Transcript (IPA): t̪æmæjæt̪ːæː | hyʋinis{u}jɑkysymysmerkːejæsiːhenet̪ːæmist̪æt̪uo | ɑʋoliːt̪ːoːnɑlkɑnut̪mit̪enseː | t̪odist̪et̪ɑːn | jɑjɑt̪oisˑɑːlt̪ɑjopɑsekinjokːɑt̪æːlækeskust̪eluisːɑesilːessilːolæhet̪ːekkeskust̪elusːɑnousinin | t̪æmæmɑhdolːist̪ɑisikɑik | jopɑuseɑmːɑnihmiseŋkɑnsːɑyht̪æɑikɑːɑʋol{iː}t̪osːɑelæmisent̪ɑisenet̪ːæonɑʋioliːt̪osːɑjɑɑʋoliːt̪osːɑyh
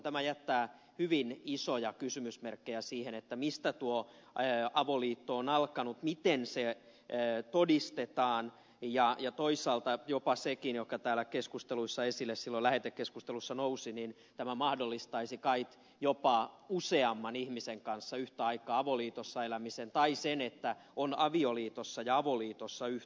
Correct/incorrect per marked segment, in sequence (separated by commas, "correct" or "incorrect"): incorrect, correct